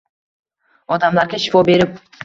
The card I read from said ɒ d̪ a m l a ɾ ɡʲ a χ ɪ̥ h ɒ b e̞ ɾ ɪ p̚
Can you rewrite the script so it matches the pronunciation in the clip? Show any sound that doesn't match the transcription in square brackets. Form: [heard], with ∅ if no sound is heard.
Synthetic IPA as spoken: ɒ d̪ a m l a ɾ ɡʲ a [ʃ] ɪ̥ [f] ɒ b e̞ ɾ ɪ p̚